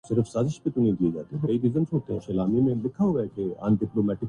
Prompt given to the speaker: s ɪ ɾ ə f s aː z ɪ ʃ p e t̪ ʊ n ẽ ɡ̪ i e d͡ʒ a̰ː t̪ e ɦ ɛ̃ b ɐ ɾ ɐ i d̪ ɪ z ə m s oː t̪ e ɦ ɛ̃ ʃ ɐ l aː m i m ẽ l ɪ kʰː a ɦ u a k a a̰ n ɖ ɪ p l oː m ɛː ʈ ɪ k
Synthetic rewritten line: s ɪ ɾ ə f s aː z ɪ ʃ p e t̪ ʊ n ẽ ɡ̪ i e d͡ʒ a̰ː t̪ e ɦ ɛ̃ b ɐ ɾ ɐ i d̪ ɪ z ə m s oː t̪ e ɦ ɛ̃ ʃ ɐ l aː m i m ẽ l ɪ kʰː a ɦ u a k e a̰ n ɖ ɪ p l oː m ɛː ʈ ɪ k